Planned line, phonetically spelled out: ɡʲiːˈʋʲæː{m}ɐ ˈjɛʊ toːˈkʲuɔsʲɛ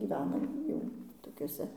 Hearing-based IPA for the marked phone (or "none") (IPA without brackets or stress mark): n